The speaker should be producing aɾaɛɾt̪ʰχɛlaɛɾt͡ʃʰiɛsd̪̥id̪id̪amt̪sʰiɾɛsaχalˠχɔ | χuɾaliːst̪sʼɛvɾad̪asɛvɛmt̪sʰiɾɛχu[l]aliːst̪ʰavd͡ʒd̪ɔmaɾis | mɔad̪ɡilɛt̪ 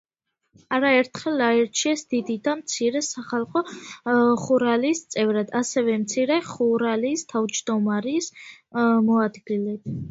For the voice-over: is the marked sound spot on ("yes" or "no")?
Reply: no